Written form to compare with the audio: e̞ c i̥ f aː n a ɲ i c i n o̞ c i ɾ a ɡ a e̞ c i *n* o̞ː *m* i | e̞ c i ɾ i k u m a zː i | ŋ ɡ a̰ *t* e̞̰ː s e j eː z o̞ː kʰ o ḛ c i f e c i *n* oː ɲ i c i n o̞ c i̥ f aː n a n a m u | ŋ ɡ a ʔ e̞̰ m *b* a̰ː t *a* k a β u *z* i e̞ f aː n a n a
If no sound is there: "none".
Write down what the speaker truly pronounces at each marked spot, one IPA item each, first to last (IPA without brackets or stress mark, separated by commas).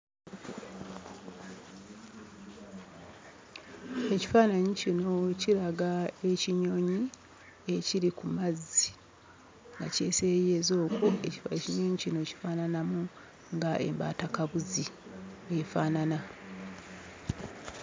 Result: ɲ, ɲ, c, ɲ, b, a, z